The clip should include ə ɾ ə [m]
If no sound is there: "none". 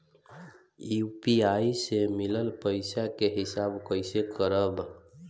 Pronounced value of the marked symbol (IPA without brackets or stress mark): b